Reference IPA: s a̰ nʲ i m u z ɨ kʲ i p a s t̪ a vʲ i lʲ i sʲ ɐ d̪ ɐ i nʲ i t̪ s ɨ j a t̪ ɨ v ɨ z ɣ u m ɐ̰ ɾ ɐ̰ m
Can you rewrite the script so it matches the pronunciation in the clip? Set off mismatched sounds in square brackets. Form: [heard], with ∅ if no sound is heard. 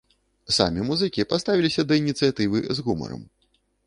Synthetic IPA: s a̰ [mʲ] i m u z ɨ kʲ i p a s t̪ a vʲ i lʲ i sʲ ɐ d̪ ɐ i nʲ i t̪ s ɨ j a t̪ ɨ v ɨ z ɣ u m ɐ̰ ɾ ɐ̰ m